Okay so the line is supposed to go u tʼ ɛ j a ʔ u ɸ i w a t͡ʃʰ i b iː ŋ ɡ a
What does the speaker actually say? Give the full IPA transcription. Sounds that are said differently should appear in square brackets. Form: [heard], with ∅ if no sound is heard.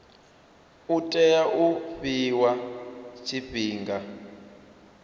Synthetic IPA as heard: u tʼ ɛ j a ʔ u ɸ i w a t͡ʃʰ i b iː ŋ ɡ a